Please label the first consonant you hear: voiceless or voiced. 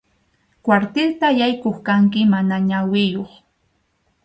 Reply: voiceless